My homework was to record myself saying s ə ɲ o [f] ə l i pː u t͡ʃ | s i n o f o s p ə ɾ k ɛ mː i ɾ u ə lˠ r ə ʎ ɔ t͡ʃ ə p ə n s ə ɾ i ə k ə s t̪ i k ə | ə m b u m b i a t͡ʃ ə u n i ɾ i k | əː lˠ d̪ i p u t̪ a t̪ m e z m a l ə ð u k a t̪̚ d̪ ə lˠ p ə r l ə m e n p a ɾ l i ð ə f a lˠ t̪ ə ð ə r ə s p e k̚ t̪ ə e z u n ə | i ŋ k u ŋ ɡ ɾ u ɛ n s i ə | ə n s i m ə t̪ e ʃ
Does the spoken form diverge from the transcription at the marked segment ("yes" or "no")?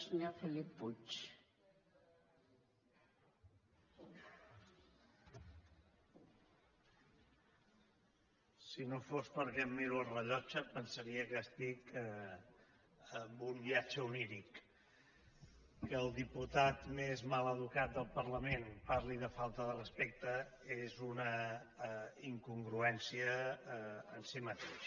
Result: no